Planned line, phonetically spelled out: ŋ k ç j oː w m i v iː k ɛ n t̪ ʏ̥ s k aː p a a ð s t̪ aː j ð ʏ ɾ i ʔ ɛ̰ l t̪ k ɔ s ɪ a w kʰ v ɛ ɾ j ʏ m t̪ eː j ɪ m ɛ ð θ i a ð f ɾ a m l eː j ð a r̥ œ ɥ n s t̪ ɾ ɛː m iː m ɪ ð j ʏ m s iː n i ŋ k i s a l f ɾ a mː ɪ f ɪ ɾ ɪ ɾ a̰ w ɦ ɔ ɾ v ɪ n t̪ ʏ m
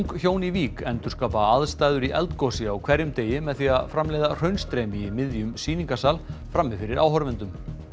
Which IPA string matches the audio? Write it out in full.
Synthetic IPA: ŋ k ç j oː w n i v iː k ɛ n t̪ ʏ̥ s k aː p a a ð s t̪ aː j ð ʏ ɾ i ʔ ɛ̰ l t̪ k ɔ s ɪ a w kʰ v ɛ ɾ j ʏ m t̪ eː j ɪ m ɛ ð θ i a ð f ɾ a m l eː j ð a r̥ œ ɥ n s t̪ ɾ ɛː m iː m ɪ ð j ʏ m s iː n i ŋ k a s a l f ɾ a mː ɪ f ɪ ɾ ɪ ɾ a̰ w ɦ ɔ ɾ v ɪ n t̪ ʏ m